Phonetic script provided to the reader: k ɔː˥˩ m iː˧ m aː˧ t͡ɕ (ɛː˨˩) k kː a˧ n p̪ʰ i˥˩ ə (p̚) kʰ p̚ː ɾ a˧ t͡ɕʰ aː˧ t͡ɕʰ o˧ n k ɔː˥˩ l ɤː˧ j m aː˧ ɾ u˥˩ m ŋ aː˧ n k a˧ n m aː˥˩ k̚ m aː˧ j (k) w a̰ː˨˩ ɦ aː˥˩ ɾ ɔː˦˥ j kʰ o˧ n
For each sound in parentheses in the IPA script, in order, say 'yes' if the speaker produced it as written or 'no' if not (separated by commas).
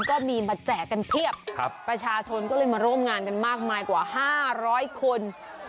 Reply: yes, yes, yes